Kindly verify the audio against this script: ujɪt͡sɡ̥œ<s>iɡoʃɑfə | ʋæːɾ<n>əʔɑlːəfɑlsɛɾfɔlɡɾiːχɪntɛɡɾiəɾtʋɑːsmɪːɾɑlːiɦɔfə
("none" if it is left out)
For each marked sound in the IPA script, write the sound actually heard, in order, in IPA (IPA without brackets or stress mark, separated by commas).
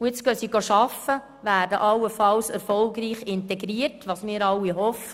s, d